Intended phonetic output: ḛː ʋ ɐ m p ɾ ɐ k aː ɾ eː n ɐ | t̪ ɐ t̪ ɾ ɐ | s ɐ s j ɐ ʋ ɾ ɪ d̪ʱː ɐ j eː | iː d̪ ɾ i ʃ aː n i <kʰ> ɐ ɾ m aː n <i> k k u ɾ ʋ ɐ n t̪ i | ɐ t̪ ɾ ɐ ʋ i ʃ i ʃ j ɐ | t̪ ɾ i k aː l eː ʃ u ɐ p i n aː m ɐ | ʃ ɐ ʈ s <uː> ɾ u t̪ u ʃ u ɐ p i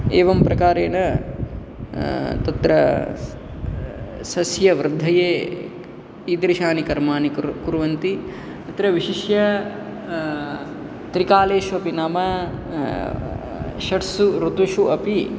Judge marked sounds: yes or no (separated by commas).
no, yes, no